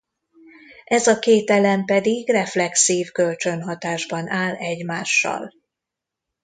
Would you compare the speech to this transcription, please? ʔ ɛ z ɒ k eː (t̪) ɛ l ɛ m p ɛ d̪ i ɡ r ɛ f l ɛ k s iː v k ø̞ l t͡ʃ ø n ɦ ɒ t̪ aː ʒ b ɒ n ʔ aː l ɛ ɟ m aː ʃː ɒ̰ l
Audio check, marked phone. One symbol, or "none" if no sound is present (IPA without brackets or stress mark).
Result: t̪